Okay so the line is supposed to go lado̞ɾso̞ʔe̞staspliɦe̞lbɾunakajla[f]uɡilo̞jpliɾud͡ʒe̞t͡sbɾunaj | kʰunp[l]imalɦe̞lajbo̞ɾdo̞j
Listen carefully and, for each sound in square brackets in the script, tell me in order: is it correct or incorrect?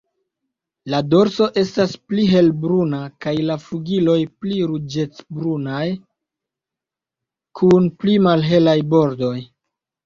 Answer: correct, correct

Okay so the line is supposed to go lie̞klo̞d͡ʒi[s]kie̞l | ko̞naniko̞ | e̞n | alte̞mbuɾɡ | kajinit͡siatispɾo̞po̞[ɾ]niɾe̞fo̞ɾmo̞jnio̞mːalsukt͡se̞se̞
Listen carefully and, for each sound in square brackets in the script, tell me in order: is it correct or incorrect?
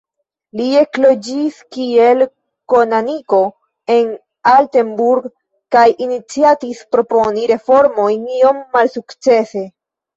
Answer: correct, incorrect: none

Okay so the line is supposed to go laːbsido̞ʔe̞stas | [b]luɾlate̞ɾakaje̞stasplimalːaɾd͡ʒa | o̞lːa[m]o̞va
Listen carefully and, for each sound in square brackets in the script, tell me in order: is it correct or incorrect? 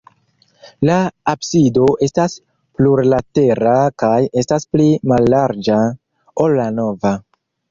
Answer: incorrect: p, incorrect: n

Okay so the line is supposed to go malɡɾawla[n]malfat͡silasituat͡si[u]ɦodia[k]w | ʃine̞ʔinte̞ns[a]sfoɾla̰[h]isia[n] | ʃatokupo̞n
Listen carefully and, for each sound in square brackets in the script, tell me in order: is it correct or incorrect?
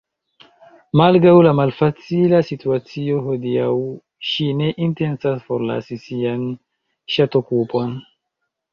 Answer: incorrect: none, incorrect: o, incorrect: none, correct, incorrect: s, correct

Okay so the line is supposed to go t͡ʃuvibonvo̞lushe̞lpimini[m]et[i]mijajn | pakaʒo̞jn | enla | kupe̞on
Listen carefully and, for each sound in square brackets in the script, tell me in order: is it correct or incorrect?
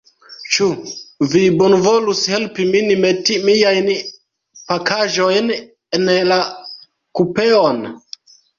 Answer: correct, correct

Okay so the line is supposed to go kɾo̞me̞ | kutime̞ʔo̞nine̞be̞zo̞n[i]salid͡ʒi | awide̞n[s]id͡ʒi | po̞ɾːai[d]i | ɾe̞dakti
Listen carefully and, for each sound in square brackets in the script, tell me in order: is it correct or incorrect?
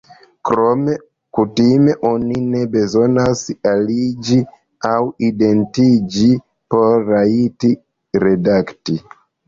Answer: incorrect: a, incorrect: t, incorrect: t

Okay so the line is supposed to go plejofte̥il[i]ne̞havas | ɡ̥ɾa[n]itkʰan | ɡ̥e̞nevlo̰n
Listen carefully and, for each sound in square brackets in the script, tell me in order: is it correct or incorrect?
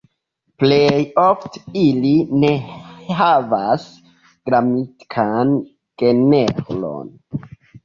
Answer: correct, incorrect: m

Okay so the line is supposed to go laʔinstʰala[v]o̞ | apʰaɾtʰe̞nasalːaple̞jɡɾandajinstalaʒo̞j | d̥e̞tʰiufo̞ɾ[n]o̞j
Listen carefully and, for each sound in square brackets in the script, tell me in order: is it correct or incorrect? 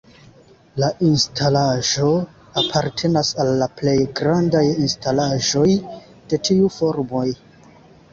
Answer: incorrect: ʒ, incorrect: m

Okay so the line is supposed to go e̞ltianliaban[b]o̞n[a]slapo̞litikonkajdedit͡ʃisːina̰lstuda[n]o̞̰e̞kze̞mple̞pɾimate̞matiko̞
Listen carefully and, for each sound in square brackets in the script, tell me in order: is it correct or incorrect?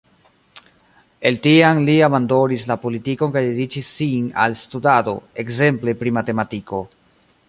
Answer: incorrect: d, incorrect: i, incorrect: d

